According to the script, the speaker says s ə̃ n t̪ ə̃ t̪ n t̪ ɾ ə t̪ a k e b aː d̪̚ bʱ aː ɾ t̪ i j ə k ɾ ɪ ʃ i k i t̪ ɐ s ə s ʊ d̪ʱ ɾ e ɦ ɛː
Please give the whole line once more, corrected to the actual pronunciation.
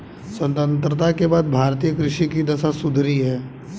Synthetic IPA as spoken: s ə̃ n t̪ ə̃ n t̪ ɾ ə t̪ a k e b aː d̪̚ bʱ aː ɾ t̪ i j ə k ɾ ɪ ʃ i k i d̪ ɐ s a s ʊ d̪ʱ ɾ i ɦ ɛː

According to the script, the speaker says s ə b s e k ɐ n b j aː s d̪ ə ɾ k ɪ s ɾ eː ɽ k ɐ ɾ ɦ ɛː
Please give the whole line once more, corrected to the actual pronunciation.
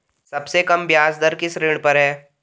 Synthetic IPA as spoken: s ɐ b s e k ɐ m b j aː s d̪ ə ɾ k ɪ s ɾ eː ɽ p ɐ ɾ ɦ ɛː

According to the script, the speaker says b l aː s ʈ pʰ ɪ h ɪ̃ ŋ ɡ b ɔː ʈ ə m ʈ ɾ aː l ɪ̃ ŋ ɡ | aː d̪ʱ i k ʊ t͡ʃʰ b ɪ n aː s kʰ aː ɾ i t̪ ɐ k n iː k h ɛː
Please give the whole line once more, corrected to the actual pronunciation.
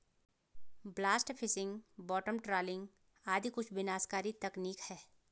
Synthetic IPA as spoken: b l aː s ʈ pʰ ɪ s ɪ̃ ŋ ɡ b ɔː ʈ ə m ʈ ɾ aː l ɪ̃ ŋ ɡ | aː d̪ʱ i k ʊ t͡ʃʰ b ɪ n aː s k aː ɾ i t̪ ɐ k n iː k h ɛː

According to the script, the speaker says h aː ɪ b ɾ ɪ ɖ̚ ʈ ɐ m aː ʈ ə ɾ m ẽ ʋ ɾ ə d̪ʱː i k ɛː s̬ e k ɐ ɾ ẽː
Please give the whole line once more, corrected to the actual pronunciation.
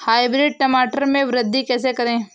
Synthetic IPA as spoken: h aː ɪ b ɾ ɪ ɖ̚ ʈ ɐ m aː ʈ ə ɾ m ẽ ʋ ɾ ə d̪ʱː i k ɛː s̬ e k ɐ ɾ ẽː

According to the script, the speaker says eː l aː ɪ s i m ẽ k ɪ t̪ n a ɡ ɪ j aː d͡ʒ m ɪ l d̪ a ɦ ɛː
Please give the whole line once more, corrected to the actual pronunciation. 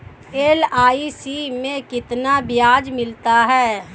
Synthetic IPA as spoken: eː l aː i s i m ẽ k ɪ t̪ n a b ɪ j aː d͡ʒ m ɪ l t̪ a ɦ ɛː

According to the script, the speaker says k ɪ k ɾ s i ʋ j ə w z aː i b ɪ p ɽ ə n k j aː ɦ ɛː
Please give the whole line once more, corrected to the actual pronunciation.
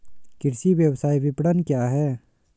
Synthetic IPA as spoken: k ɪ ɾ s i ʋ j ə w s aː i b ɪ p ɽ ə n k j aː ɦ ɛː

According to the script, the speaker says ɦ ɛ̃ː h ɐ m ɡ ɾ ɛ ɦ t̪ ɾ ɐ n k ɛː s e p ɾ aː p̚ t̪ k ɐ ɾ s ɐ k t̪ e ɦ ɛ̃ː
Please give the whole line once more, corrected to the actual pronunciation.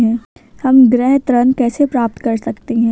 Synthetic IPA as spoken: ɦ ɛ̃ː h ɐ m ɡ ɾ ɛ ɦ t̪ ɾ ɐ n k ɛː s e p ɾ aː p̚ t̪ k ɐ ɾ s ɐ k t̪ e ɦ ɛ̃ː

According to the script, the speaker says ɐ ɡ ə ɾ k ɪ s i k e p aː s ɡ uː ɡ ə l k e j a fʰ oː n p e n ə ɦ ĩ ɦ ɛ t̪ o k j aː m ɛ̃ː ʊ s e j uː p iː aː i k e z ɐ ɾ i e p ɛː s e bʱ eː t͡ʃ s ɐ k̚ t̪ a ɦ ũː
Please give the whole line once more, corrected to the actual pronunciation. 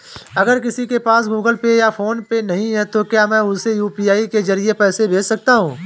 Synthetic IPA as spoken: ɐ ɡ ə ɾ k ɪ s i k e p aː s ɡ uː ɡ ə l p e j a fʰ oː n p e n ɐ ɦ ĩ ɦ ɛ t̪ o k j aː m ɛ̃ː ʊ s e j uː p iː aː i k e z ɐ ɾ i e p ɛː s e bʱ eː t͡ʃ s ɐ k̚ t̪ a ɦ ũː

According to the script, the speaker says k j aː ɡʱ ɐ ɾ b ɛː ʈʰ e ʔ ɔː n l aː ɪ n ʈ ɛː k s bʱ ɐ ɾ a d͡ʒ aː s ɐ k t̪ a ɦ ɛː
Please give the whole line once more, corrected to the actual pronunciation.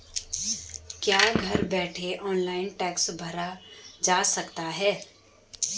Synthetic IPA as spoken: k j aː ɡʱ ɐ ɾ b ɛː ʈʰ e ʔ ɔː n l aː ɪ n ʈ ɛː k s bʱ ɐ ɾ a d͡ʒ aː s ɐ k t̪ a ɦ ɛː

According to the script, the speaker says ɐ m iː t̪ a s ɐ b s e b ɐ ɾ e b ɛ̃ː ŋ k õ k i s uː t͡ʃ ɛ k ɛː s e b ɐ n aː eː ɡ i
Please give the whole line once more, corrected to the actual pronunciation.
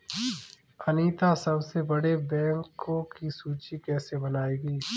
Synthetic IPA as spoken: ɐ n iː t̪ a s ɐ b s e b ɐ ɽ e b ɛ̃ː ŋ k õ k i s uː t͡ʃ i k ɛː s e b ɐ n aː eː ɡ iː

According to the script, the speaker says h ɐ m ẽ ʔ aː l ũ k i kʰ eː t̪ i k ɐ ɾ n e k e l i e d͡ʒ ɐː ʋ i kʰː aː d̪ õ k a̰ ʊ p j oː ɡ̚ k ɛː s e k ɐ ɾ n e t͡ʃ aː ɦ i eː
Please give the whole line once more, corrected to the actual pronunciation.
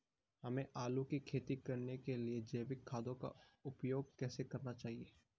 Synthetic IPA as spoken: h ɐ m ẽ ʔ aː l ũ k i kʰ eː t̪ i k ɐ ɾ n e k e l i e d͡ʒ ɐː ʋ ɪ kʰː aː d̪ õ k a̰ ʊ p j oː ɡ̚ k ɛː s e k ɐ ɾ n a t͡ʃ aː ɦ i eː

